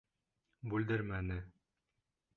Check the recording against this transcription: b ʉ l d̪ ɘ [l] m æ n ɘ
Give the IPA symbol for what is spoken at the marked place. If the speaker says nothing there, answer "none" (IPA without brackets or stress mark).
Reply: ɾ